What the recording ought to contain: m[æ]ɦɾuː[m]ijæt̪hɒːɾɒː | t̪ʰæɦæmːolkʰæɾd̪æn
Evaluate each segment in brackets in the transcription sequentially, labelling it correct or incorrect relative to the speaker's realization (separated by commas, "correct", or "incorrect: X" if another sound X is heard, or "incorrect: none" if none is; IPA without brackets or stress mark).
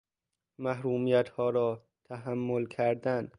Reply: correct, correct